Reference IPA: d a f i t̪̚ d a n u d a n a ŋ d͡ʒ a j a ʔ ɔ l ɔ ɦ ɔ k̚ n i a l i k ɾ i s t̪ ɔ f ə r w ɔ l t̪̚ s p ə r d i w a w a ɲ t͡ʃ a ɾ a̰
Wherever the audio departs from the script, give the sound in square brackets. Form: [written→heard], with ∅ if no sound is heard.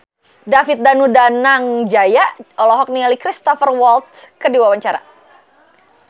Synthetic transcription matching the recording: d a f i t̪̚ d a n u d a n a ŋ d͡ʒ a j a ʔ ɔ l ɔ ɦ ɔ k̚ n i a l i k ɾ i s t̪ ɔ f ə r w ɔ l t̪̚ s [p→k] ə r d i w a w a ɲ t͡ʃ a ɾ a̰